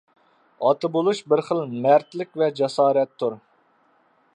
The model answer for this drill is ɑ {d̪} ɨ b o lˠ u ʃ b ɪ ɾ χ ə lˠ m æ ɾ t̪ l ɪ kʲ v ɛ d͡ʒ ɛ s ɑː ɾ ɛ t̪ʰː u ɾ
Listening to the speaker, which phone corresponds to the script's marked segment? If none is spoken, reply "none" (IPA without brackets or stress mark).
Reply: t̪